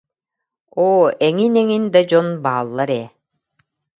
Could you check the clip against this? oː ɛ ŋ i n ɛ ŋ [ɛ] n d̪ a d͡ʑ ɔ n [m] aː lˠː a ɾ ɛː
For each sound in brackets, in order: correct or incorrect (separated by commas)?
incorrect, incorrect